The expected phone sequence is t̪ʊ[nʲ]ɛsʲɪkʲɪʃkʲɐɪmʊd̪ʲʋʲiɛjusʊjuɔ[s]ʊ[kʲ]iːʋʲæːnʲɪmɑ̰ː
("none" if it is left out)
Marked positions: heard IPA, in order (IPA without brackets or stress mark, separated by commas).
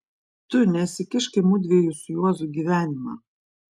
nʲ, z, ɡʲ